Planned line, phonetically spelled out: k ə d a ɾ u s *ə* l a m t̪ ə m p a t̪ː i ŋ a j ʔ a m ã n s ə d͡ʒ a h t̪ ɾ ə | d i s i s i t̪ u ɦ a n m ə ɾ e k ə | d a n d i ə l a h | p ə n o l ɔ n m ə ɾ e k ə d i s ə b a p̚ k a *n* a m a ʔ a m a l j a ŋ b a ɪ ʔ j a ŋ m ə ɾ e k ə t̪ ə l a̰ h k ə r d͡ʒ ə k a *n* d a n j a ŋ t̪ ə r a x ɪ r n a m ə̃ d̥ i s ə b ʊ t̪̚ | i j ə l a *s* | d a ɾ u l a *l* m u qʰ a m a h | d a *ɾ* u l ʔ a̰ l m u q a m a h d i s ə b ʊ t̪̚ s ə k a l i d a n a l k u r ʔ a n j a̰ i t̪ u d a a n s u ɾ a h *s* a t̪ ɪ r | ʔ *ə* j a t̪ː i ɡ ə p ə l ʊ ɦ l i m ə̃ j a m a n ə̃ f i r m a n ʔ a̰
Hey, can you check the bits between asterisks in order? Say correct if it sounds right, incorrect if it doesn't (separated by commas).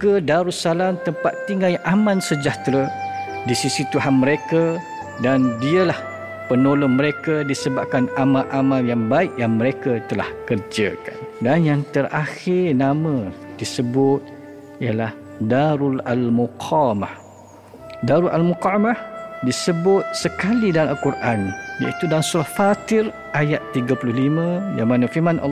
incorrect, correct, correct, incorrect, correct, correct, incorrect, incorrect